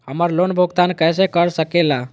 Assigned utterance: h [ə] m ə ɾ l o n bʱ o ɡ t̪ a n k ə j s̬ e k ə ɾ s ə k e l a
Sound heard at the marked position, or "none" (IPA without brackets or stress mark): ə